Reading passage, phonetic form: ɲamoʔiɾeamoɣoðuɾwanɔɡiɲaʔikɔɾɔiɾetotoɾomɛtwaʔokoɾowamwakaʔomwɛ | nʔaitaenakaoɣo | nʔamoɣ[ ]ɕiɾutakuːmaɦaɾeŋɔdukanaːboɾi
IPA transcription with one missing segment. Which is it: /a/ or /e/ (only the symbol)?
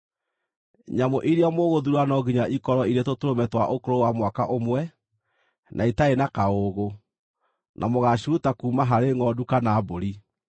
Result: a